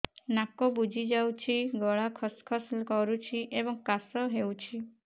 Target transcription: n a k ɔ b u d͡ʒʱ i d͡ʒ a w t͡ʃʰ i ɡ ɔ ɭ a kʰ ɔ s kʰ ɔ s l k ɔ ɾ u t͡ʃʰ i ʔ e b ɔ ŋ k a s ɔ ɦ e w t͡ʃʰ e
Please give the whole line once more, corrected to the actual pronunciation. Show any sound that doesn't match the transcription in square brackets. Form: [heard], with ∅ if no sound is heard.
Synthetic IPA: n a k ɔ b u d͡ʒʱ i d͡ʒ a w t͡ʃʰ i ɡ ɔ ɭ a kʰ ɔ s kʰ ɔ s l k ɔ ɾ u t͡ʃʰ i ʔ e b ɔ ŋ k a s ɔ ɦ e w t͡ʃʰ [i]